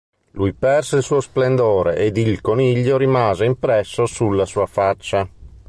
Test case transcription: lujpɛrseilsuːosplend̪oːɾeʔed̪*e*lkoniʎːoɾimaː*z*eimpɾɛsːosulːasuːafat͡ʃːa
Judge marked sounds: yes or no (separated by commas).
no, yes